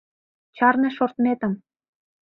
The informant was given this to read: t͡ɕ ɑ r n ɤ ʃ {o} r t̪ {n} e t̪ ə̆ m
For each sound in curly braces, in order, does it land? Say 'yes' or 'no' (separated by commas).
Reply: yes, no